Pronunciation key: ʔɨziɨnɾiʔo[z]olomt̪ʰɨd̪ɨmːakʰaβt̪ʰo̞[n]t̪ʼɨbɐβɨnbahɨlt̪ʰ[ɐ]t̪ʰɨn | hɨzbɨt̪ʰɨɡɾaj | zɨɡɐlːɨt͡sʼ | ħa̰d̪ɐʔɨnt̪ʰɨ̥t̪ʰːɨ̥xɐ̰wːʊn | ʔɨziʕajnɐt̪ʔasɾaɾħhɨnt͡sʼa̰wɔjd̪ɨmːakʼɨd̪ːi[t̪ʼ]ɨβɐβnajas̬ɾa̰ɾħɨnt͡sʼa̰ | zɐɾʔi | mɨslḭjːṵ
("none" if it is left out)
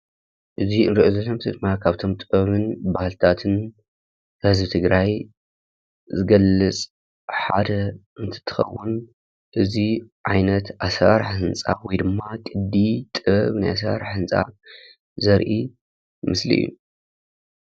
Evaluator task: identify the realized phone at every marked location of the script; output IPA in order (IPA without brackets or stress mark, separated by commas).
z, m, a, t̪ʼ